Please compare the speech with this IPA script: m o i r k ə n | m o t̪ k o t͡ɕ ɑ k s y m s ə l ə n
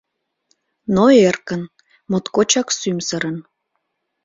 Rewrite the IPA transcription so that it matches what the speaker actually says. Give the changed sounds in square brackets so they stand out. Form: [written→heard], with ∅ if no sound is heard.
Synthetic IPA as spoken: [m→n] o [i→e] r k ə n | m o t̪ k o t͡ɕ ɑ k s y m s ə [l→ɾ] ə n